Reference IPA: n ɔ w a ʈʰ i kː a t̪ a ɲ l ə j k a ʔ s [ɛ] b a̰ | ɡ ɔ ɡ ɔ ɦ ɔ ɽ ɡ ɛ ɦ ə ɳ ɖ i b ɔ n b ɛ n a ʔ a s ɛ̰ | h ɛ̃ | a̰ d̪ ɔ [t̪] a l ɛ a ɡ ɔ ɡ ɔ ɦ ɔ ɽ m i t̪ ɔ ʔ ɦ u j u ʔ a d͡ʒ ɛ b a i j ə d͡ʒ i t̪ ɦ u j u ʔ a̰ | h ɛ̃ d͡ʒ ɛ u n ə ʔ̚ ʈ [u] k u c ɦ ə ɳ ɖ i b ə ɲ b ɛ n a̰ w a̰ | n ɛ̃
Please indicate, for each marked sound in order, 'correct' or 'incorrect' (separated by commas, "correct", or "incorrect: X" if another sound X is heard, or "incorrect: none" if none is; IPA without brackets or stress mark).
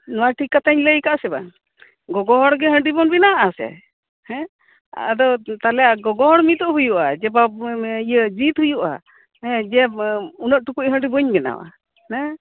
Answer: correct, correct, correct